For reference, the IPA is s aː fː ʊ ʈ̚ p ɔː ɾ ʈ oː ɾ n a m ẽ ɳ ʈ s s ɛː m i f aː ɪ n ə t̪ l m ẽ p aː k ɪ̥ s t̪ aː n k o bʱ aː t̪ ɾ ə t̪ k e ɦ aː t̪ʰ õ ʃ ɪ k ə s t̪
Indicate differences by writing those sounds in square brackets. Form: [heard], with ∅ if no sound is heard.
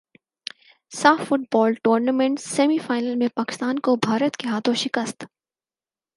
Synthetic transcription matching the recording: s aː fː ʊ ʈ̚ [b] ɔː [l] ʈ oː ɾ n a m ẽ ɳ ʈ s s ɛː m i f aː ɪ n ə [∅] l m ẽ p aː k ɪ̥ s t̪ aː n k o bʱ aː [∅] ɾ ə t̪ k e ɦ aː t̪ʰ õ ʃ ɪ k ə s t̪